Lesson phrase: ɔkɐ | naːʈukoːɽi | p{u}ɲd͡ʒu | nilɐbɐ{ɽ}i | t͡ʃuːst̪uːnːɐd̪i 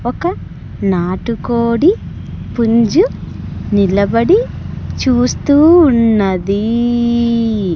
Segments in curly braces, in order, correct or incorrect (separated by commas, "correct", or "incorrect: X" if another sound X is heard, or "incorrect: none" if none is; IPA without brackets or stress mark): correct, correct